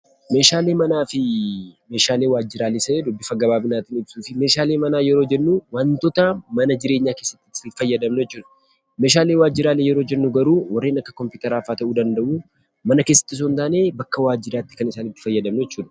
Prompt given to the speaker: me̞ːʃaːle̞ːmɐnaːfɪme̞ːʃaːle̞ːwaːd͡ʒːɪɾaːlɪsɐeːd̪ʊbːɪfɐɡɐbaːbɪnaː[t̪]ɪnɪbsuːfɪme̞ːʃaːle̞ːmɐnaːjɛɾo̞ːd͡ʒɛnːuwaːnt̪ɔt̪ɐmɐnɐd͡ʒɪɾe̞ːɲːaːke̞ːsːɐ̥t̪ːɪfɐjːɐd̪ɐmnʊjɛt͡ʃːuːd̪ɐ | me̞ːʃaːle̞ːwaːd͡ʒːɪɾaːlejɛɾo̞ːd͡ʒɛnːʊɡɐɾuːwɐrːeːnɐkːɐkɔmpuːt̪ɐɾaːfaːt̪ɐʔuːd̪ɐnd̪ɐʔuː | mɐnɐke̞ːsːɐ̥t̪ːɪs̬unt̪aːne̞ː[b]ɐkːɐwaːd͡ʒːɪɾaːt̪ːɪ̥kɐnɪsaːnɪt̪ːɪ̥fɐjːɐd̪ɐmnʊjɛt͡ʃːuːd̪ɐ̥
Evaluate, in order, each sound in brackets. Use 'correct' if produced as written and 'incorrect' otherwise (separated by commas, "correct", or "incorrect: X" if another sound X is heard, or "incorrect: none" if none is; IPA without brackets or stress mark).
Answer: correct, correct